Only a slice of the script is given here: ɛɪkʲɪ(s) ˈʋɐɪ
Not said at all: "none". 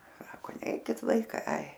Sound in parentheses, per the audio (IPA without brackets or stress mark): t